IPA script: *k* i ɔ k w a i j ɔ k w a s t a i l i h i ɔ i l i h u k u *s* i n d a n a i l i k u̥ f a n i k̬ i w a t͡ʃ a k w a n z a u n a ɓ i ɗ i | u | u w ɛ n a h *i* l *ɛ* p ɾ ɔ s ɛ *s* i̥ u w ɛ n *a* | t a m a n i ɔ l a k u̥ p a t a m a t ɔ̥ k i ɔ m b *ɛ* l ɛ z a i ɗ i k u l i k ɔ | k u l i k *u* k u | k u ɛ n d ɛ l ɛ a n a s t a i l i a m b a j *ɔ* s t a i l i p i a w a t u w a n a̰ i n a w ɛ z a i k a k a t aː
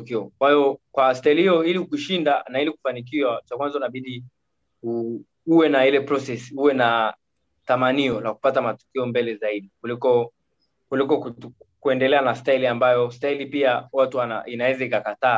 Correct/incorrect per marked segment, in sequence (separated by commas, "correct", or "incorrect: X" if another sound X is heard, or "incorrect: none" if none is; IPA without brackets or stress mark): correct, incorrect: ʃ, correct, correct, correct, correct, correct, incorrect: ɔ, correct